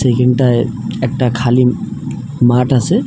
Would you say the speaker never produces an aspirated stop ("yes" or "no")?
no